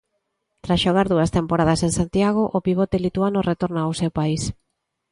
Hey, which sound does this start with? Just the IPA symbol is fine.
t̪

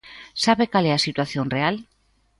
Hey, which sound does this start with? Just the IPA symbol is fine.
s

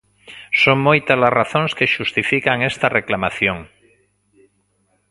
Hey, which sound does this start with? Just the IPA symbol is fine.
s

